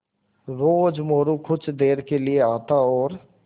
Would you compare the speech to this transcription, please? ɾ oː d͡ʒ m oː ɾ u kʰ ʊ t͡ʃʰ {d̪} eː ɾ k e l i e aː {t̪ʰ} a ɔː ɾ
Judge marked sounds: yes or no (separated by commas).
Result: yes, no